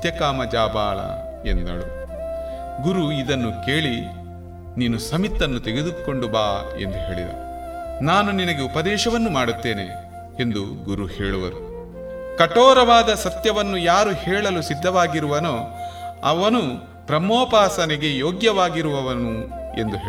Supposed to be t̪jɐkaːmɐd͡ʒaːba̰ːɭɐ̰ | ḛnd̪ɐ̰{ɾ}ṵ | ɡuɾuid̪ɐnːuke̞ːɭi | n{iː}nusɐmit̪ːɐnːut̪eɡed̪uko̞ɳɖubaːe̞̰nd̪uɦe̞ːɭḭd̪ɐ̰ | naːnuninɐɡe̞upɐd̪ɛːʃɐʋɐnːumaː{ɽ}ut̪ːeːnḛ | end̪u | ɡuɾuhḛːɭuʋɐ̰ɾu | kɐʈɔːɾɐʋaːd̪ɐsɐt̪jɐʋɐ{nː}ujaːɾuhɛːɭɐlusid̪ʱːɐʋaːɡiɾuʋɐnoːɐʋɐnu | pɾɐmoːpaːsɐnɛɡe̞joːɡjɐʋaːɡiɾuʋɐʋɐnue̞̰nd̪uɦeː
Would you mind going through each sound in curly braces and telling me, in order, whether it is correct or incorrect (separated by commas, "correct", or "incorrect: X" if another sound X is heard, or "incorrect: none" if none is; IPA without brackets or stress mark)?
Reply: incorrect: ɭ, correct, correct, correct